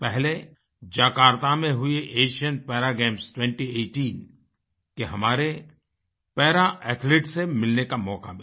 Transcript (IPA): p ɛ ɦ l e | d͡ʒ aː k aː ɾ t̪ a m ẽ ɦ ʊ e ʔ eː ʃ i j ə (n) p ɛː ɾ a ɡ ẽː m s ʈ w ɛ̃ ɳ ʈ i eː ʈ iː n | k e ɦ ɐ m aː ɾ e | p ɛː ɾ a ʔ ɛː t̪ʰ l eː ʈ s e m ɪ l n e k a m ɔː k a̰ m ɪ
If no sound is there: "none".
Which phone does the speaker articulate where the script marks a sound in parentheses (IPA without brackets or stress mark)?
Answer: n